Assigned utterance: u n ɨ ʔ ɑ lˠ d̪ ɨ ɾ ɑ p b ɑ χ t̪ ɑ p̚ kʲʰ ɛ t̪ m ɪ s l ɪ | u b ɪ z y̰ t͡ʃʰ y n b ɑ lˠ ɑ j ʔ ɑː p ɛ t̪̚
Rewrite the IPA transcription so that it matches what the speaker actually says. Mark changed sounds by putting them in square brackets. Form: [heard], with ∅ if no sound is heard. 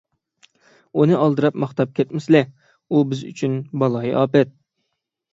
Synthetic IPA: u n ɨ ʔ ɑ lˠ d̪ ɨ ɾ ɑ p [m] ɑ χ t̪ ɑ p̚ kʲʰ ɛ t̪ m ɪ s l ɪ | u b ɪ z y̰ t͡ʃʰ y n b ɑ lˠ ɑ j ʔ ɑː p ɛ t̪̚

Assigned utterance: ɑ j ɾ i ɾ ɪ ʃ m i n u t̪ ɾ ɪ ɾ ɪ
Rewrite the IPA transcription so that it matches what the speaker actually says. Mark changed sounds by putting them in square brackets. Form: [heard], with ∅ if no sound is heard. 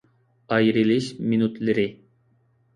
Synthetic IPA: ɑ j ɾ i [l] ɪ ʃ m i n u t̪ [l] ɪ ɾ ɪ

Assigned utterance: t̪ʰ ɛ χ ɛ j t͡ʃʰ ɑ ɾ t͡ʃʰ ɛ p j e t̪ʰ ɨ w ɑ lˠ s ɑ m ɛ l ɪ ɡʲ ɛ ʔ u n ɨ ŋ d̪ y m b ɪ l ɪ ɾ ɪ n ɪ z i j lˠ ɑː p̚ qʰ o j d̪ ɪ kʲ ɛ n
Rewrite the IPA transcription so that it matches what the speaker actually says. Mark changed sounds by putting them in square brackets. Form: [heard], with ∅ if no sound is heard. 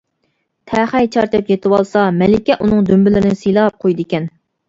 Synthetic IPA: t̪ʰ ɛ χ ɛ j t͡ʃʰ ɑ ɾ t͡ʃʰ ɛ p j e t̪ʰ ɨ w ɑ lˠ s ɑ m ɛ l ɪ [kʲ] ɛ ʔ u n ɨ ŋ d̪ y m b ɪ l ɪ ɾ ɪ n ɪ [s] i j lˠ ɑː p̚ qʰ o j d̪ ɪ kʲ ɛ n

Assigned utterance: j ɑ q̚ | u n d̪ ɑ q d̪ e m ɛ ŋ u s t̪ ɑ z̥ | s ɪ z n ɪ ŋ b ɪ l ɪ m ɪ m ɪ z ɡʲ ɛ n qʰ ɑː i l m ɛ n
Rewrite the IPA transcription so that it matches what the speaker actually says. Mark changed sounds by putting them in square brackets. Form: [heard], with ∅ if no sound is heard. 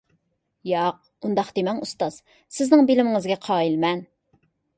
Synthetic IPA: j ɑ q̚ | u n d̪ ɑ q d̪ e m ɛ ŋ u s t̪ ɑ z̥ | s ɪ z n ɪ ŋ b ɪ l ɪ m ɪ [ŋ] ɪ z ɡʲ ɛ [∅] qʰ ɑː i l m ɛ n

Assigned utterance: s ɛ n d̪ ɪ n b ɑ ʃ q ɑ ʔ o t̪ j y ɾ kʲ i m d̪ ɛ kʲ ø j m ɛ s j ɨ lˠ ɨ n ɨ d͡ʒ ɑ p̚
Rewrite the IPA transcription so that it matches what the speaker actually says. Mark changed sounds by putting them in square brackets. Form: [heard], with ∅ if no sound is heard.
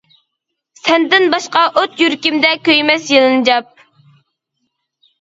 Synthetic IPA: s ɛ n d̪ ɪ n b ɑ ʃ q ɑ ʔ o t̪ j y ɾ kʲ i m d̪ ɛ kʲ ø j m ɛ s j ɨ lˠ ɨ n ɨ d͡ʒ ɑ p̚

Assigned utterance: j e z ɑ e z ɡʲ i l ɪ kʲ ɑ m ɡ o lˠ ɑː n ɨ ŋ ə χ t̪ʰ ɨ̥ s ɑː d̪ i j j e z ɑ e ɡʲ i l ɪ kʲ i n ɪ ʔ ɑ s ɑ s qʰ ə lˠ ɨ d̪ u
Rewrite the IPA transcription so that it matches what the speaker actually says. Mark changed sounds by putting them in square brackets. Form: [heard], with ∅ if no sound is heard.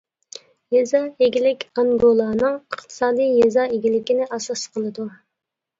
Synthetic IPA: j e z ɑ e [∅] ɡʲ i l ɪ kʲ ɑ [ŋ] ɡ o lˠ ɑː n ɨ ŋ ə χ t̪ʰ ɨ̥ s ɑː d̪ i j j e z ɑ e ɡʲ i l ɪ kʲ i n ɪ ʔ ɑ s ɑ s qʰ ə lˠ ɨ d̪ u

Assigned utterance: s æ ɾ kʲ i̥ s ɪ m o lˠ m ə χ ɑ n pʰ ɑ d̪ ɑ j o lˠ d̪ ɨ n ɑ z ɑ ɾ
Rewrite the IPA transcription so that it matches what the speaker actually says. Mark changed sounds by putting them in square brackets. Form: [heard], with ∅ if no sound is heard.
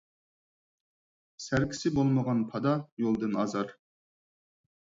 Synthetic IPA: s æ ɾ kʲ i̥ s ɪ [b] o lˠ m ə [ʁ] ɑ n pʰ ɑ d̪ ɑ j o lˠ d̪ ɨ n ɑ z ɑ ɾ

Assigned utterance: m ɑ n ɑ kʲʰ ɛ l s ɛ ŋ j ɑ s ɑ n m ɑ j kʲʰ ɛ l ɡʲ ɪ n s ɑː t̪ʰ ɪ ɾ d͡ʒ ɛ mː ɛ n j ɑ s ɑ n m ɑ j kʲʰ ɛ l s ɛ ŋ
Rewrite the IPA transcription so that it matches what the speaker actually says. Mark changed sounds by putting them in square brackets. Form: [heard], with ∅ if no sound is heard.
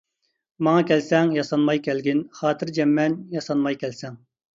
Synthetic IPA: m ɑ [ŋ] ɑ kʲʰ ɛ l s ɛ ŋ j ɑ s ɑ n m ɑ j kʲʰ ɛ l ɡʲ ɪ n [χ] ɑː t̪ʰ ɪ ɾ d͡ʒ ɛ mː ɛ n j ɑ s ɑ n m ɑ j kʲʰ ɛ l s ɛ ŋ

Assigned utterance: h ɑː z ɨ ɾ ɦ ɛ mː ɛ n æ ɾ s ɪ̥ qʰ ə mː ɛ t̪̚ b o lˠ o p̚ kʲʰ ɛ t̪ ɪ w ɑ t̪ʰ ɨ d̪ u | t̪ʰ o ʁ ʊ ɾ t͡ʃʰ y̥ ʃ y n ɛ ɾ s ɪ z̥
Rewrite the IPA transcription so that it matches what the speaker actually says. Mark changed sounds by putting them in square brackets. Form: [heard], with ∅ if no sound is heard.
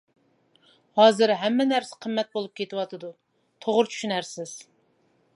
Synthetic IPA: h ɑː z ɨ ɾ ɦ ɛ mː ɛ n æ ɾ s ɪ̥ qʰ ə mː ɛ t̪̚ b o lˠ [u] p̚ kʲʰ [e] t̪ ɪ w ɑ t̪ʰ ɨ d̪ u | t̪ʰ o ʁ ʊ ɾ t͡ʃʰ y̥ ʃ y n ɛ ɾ s ɪ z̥

